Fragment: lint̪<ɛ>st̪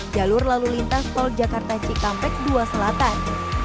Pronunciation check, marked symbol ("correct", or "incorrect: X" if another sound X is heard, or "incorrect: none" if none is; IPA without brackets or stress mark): incorrect: a